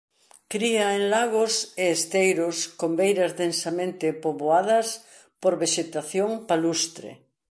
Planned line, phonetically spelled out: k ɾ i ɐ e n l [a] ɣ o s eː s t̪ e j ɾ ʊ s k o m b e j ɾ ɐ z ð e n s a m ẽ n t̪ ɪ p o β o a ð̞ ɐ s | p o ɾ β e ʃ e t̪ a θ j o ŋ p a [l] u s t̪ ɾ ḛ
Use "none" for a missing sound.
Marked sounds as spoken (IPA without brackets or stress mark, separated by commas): a, l